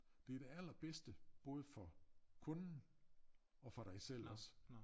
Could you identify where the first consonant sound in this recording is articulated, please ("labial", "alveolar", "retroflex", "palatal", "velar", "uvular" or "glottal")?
alveolar